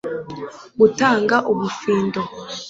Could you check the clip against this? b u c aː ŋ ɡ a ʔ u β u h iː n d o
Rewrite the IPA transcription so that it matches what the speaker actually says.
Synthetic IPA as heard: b u t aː ŋ ɡ a ʔ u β u f iː n d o